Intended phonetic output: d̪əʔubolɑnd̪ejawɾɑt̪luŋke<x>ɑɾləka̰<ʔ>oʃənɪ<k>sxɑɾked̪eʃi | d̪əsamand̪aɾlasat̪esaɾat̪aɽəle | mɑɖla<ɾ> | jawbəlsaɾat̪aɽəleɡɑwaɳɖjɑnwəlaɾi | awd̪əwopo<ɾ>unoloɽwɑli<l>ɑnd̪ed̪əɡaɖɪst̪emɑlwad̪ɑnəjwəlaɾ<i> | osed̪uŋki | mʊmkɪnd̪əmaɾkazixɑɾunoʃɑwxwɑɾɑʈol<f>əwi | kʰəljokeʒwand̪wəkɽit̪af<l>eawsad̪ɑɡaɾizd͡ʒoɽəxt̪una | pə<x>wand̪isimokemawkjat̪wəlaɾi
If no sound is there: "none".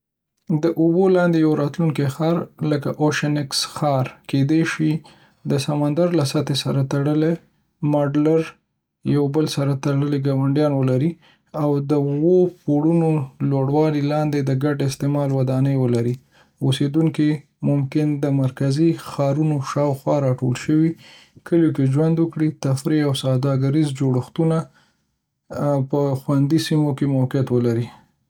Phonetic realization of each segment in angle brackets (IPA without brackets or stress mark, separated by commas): x, ʔ, k, ɾ, ɽ, l, i, ʃ, ɾ, x